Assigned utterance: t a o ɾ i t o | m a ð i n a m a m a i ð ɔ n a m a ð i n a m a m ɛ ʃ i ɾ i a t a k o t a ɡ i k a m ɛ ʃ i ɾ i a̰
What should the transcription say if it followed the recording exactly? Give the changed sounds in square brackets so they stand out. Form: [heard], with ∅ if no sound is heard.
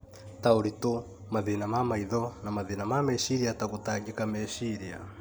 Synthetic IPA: t a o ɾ i t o | m a ð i n a m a m a i ð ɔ n a m a ð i n a m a m ɛ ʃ i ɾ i a t a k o t a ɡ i k a m ɛ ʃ i ɾ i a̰